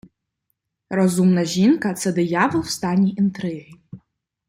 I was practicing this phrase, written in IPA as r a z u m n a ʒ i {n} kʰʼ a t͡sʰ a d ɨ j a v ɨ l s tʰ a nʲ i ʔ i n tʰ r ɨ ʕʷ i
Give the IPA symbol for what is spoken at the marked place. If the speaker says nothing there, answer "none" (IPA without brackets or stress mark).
n